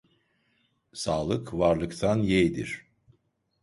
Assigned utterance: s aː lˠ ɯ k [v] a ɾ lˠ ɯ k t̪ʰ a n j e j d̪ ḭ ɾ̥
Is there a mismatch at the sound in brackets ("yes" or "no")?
no